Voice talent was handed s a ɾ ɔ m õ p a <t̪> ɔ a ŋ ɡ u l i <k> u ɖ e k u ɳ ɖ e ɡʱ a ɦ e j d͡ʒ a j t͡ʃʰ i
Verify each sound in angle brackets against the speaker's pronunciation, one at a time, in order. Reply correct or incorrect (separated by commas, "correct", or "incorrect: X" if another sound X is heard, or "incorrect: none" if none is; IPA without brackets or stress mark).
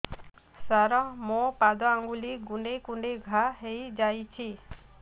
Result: incorrect: d̪, incorrect: ɡ